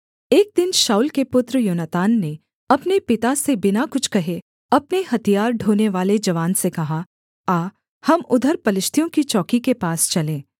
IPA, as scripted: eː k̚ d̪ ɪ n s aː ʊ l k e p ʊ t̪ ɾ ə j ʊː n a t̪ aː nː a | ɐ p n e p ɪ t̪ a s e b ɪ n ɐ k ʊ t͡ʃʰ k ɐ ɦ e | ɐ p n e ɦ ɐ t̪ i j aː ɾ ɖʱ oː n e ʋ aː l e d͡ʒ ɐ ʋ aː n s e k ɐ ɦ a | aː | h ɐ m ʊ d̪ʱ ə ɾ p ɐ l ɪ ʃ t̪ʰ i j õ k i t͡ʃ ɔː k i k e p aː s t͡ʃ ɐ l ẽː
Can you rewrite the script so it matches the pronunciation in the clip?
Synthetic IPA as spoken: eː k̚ d̪ ɪ n ʃ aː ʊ l k e p ʊ t̪ ɾ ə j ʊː n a t̪ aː nː e | ɐ p n e p ɪ t̪ a s e b ɪ n a k ʊ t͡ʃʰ k ɐ ɦ e | ɐ p n e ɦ ɐ t̪ i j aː ɾ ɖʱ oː n e ʋ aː l e d͡ʒ ɐ ʋ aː n s e k ɐ ɦ a | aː | h ɐ m ʊ d̪ʱ ə ɾ p ɐ l ɪ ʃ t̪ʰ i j õ k i t͡ʃ ɔː k i k e p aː s t͡ʃ ɐ l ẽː